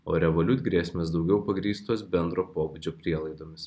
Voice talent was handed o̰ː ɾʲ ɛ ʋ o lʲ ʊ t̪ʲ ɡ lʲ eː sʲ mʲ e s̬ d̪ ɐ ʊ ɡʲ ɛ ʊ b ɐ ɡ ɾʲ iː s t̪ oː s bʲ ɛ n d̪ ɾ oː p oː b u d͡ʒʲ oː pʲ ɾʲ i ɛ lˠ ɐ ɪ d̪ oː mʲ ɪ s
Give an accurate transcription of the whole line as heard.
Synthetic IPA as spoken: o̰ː ɾʲ ɛ ʋ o lʲ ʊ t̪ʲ ɡ ɾʲ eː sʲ mʲ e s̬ d̪ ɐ ʊ ɡʲ ɛ ʊ p ɐ ɡ ɾʲ iː s t̪ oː s bʲ ɛ n d̪ ɾ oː p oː b u d͡ʒʲ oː pʲ ɾʲ i ɛ lˠ ɐ ɪ d̪ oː mʲ ɪ s